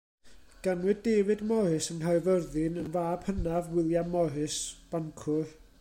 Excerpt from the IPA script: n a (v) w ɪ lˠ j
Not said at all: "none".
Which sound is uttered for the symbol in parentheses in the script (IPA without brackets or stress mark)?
v